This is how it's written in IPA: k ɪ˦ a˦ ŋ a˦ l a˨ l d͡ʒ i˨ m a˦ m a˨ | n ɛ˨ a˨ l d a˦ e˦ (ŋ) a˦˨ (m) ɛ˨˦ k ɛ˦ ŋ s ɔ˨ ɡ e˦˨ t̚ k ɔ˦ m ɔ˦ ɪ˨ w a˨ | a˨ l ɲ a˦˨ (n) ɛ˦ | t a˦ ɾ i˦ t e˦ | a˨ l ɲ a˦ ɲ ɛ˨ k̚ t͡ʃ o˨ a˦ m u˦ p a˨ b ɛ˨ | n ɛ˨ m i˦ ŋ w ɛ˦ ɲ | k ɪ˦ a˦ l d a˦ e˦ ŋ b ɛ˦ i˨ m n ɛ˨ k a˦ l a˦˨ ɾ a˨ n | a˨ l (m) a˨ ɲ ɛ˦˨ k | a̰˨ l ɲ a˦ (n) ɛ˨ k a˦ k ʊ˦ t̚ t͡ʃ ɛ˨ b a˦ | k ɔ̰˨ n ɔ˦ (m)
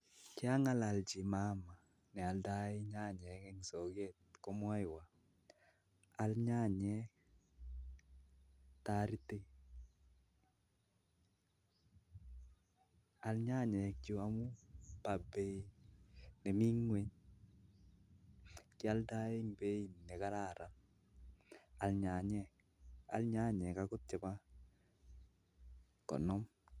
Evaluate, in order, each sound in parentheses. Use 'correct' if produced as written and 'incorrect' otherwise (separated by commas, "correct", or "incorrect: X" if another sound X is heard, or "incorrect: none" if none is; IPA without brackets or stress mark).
incorrect: ɲ, incorrect: ɲ, incorrect: ɲ, incorrect: ɲ, incorrect: ɲ, correct